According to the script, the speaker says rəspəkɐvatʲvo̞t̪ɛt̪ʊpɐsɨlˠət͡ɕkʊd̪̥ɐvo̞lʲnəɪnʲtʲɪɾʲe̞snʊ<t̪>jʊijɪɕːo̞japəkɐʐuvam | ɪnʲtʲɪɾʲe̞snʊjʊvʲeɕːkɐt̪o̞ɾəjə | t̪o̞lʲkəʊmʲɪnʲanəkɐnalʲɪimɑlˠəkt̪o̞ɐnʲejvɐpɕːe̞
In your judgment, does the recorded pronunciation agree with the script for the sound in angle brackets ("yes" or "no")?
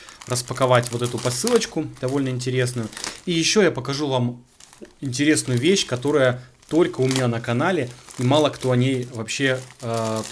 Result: no